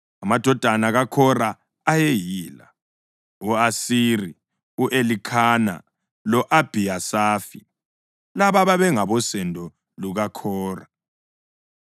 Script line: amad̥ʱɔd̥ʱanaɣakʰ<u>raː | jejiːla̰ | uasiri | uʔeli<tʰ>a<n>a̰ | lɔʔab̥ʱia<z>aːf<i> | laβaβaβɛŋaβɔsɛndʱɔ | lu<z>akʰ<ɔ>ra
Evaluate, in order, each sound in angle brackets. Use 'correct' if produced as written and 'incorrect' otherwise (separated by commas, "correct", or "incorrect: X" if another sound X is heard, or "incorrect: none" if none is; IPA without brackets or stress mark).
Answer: incorrect: ɔ, incorrect: kʰ, correct, incorrect: s, correct, incorrect: ɣ, incorrect: ɔː